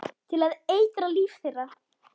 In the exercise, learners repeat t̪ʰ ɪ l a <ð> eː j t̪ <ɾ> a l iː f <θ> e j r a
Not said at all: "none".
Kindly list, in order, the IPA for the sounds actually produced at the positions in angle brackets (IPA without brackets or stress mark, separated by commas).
ð, ɾ, θ